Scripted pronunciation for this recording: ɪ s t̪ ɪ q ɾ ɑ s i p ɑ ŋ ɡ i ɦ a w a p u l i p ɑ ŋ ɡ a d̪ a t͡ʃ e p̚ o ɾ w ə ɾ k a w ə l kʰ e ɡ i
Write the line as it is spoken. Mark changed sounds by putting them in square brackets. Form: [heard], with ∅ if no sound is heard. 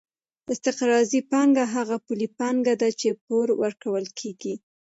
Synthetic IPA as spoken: ɪ s t̪ ɪ q ɾ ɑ [z] i p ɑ ŋ ɡ [a] ɦ a [ɣ] a p u l i p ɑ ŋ ɡ a d̪ a t͡ʃ e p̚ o ɾ w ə ɾ k a w ə l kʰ e ɡ i